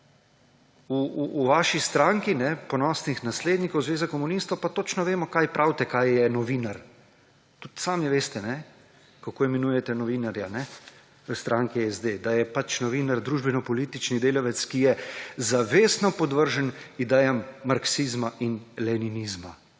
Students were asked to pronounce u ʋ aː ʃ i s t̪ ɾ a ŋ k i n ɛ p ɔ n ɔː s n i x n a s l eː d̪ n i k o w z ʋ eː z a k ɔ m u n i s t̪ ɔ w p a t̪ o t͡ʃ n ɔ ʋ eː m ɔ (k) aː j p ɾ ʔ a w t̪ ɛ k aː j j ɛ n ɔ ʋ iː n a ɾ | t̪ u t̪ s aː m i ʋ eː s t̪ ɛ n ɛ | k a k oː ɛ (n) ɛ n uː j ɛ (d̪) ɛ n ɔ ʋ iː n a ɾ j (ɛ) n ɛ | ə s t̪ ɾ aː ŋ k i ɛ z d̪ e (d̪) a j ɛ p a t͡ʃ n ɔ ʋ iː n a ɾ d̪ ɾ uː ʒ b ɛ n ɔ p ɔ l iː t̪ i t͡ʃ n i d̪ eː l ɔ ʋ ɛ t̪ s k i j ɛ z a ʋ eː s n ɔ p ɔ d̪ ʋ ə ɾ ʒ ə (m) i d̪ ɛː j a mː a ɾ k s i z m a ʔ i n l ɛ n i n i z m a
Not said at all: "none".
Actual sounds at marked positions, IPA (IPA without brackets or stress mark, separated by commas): k, m, t̪, a, d̪, n